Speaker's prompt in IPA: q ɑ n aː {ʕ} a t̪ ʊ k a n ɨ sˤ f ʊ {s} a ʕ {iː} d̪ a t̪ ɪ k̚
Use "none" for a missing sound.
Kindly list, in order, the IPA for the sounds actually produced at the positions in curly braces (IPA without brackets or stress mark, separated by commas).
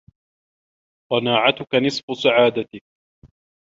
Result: ʕ, s, aː